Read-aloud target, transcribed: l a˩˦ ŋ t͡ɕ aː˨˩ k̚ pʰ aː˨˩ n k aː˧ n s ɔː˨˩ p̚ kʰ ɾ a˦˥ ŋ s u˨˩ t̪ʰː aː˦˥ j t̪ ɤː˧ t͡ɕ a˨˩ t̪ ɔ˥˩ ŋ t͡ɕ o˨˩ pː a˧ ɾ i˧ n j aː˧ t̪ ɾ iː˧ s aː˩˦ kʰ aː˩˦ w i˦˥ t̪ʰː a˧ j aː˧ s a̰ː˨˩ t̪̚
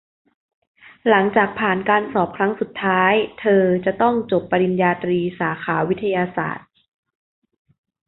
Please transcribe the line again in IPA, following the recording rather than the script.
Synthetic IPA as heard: l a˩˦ ŋ t͡ɕ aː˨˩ k̚ pʰ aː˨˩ n k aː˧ n s ɔː˨˩ p̚ kʰ ɾ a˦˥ ŋ s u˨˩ t̪ʰː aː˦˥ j t̪ʰ ɤː˧ t͡ɕ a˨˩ t̪ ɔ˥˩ ŋ t͡ɕ o˨˩ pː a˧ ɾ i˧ n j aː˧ t̪ ɾ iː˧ s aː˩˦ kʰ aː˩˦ w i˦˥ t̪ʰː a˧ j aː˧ s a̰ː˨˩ t̪̚